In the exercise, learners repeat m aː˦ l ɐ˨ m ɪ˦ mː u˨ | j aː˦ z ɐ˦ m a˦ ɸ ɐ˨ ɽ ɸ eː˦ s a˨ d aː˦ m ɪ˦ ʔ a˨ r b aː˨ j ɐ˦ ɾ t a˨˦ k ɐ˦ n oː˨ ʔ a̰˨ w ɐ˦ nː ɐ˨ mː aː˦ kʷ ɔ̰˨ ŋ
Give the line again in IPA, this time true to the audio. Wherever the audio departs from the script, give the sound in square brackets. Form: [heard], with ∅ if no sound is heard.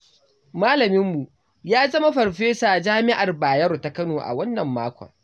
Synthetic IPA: m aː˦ l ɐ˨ m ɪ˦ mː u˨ | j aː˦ z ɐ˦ m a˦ ɸ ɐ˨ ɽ ɸ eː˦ s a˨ [d͡ʒ] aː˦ m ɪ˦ ʔ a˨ r b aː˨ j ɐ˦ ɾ t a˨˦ k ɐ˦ n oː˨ ʔ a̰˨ w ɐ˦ nː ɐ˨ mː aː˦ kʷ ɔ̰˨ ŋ